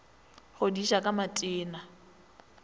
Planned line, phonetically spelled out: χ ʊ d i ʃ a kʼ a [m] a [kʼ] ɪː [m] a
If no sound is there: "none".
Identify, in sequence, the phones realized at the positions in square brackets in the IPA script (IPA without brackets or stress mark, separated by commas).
m, tʼ, n